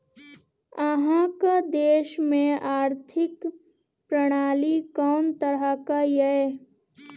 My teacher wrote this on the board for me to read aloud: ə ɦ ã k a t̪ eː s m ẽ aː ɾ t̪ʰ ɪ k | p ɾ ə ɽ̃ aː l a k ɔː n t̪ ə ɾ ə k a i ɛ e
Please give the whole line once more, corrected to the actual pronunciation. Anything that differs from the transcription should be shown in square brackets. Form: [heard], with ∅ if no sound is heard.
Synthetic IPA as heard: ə ɦ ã k a [d̪] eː [ʃ] m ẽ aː ɾ t̪ʰ ɪ k | p ɾ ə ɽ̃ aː l [i] k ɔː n t̪ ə ɾ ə k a [j] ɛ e